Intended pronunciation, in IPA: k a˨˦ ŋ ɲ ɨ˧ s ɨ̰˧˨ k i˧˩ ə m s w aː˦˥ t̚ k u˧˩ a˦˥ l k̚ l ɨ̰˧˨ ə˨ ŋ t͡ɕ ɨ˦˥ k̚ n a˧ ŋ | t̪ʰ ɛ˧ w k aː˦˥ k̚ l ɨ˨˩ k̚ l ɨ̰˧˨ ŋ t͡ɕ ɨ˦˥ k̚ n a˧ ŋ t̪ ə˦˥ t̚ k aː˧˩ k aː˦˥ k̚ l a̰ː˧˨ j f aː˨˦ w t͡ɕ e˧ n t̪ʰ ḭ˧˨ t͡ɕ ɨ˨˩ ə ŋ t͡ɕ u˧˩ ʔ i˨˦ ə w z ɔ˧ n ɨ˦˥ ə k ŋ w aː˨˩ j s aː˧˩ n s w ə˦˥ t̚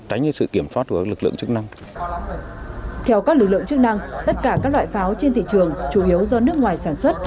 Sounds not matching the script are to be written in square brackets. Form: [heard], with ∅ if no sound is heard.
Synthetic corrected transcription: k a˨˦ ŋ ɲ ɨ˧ s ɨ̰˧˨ k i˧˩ ə m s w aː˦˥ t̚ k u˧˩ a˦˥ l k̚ l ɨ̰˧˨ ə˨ ŋ t͡ɕ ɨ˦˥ k̚ n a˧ ŋ | t̪ʰ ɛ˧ w k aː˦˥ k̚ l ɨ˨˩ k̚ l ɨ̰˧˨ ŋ t͡ɕ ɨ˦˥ k̚ n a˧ ŋ t̪ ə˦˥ t̚ k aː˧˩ k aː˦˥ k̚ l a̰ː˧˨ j f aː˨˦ w t͡ɕ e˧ n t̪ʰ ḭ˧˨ t͡ɕ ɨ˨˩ ə ŋ t͡ɕ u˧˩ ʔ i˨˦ ə w z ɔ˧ n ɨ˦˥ ə k ŋ w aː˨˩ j s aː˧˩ n s w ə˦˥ t̚